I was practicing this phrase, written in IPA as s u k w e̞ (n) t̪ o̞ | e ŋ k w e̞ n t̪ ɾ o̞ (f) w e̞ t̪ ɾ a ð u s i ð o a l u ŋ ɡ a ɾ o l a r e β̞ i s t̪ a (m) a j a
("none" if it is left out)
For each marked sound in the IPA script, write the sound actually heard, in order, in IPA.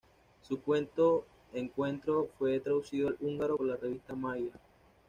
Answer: n, f, m

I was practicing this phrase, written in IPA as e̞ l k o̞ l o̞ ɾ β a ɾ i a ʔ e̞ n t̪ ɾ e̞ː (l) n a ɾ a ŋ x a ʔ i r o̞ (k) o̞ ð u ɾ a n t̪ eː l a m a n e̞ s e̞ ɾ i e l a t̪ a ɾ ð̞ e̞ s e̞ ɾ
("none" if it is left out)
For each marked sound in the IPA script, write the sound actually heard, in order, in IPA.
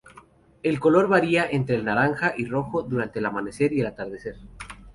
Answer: l, x

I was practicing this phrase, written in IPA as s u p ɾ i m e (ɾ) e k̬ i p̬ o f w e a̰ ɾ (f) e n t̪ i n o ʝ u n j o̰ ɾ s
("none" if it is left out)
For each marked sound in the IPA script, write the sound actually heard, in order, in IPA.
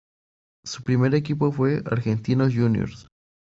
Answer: ɾ, x

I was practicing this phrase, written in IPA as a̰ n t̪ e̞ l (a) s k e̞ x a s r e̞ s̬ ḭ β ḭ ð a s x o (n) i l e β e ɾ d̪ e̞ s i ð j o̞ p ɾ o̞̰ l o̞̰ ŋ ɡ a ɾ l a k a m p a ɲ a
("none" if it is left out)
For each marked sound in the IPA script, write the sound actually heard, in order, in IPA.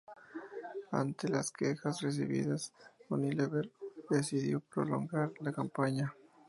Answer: a, n

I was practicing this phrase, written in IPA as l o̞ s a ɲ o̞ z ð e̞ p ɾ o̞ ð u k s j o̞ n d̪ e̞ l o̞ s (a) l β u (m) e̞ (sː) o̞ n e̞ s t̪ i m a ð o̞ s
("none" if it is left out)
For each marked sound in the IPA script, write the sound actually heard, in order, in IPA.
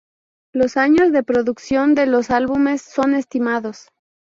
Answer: a, m, sː

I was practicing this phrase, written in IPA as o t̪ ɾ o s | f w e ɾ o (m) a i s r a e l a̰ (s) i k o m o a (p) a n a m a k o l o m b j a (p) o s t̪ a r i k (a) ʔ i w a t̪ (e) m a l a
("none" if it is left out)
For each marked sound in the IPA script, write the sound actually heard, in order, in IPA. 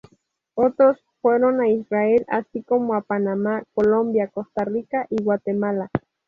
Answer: n, s, p, k, a, e

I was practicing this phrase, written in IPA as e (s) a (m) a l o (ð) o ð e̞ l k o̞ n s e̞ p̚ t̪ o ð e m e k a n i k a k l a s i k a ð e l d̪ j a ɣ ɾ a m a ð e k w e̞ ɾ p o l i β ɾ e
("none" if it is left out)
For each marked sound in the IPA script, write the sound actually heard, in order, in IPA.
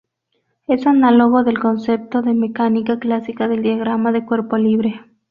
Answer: s, n, ɣ

